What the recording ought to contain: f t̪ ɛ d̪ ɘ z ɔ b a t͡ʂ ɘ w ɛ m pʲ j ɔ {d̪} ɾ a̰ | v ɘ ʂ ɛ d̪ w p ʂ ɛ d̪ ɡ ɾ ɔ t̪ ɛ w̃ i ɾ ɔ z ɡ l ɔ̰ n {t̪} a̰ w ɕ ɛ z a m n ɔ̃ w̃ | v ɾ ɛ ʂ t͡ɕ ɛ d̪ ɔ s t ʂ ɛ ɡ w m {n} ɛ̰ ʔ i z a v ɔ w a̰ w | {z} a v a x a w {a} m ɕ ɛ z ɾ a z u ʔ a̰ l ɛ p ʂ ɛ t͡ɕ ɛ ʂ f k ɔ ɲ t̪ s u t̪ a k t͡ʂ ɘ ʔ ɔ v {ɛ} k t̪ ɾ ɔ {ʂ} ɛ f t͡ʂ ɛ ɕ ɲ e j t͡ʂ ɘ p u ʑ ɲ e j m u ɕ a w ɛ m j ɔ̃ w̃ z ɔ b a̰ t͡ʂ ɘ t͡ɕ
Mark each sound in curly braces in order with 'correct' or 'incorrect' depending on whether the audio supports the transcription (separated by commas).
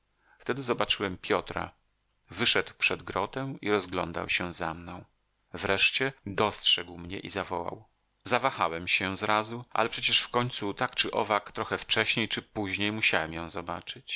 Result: incorrect, incorrect, incorrect, correct, incorrect, incorrect, incorrect